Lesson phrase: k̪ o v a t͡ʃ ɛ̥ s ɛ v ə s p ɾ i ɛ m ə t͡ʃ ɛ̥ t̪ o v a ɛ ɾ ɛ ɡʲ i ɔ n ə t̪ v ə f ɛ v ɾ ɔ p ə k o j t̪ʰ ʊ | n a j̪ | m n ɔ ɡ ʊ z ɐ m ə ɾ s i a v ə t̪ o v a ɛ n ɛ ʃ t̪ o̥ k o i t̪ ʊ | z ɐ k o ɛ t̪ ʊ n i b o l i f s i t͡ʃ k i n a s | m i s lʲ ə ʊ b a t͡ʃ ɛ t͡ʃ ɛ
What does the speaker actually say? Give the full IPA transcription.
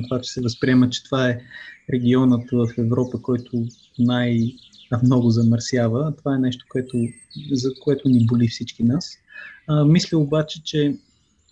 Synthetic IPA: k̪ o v a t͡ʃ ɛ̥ s ɛ v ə s p ɾ i ɛ m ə t͡ʃ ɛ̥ t̪ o v a ɛ ɾ ɛ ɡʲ i ɔ n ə t̪ v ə f ɛ v ɾ ɔ p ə k ɔ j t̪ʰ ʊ | n a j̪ | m n ɔ ɡ ʊ z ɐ m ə ɾ s j a v ə t̪ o v a ɛ n ɛ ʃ t̪ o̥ k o ɛ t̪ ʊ | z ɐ k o ɛ t̪ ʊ n i b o l i f s i t͡ʃ k i n a s | m i s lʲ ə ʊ b a t͡ʃ ɛ t͡ʃ ɛ